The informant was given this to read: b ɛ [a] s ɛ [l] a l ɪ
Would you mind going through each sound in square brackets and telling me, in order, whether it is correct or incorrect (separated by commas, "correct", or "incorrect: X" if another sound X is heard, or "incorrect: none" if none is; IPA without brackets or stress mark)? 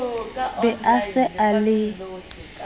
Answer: correct, incorrect: none